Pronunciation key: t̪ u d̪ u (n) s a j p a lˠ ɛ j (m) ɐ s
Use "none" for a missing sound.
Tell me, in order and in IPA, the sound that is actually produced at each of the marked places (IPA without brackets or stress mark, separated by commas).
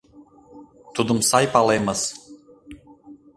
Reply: m, m